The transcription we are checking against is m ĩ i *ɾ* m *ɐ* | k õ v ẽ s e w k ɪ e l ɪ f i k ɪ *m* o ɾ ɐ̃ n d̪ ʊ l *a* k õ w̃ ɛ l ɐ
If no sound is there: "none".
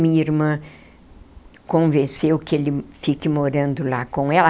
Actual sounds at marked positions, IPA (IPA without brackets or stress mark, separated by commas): ɾ, ɐ̃, m, a